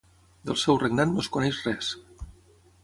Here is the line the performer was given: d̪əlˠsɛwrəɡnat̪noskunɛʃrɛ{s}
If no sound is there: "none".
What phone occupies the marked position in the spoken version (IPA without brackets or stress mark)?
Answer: s